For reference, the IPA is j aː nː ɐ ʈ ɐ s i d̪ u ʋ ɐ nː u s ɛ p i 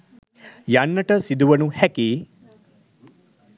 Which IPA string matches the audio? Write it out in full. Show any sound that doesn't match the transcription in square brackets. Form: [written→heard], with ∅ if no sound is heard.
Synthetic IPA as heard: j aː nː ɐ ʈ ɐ s i d̪ u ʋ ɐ [nː→n] u [s→h] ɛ [p→k] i